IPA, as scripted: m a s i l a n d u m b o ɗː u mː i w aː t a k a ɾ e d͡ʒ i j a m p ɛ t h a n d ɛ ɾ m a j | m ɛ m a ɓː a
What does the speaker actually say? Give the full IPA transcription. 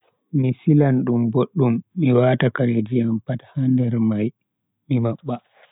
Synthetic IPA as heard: m i s i l a n ɗ u m b o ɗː u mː i w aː t a k a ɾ e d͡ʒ i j a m p a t h a n d ɛ ɾ m a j | m i m a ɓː a